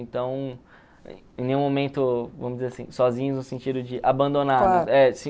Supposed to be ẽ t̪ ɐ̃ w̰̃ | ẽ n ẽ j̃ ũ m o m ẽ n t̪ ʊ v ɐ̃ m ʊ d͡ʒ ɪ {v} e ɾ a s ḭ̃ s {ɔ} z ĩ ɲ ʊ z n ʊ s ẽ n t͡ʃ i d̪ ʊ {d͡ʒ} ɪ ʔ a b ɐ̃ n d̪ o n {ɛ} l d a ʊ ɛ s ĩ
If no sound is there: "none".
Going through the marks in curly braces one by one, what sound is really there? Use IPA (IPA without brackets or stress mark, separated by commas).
z, ɔ, d͡ʒ, a